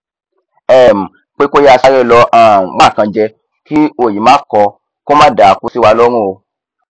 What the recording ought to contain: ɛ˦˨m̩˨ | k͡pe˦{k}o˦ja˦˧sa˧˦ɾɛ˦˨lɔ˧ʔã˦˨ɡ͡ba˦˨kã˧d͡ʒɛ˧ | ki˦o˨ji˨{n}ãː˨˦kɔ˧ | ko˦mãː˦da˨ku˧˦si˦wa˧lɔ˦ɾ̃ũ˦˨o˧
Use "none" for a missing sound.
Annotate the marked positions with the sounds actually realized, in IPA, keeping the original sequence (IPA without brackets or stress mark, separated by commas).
k, m